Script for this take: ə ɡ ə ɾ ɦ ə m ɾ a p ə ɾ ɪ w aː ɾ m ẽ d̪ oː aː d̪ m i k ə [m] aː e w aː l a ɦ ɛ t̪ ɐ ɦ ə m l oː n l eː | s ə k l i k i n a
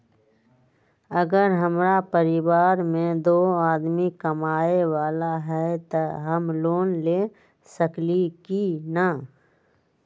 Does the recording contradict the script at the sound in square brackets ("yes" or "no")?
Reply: no